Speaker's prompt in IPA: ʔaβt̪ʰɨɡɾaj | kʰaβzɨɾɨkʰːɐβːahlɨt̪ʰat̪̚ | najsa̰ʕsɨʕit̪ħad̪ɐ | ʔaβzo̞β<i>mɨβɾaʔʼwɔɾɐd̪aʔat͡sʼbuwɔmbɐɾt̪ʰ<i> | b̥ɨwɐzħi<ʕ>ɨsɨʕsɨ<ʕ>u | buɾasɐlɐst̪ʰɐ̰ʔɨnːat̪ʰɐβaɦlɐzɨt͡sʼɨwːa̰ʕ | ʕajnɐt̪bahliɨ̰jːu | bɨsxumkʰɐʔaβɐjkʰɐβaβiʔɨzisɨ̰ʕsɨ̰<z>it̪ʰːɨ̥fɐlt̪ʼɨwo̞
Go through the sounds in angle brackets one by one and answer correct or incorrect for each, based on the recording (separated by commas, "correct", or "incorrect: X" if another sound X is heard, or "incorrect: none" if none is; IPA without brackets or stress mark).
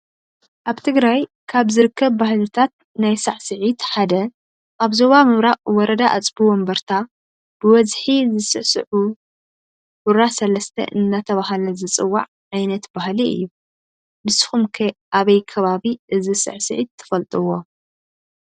incorrect: a, incorrect: a, incorrect: z, correct, incorrect: ʕ